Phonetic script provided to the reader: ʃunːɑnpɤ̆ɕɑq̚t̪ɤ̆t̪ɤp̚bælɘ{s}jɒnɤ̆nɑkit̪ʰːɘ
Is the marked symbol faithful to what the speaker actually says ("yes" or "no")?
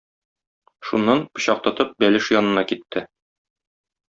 no